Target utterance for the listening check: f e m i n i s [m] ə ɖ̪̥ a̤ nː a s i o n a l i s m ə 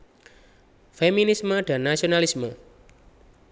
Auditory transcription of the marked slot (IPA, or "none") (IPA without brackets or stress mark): m